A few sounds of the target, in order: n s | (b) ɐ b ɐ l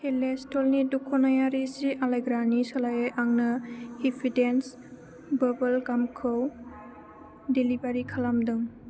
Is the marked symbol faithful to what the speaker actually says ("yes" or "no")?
yes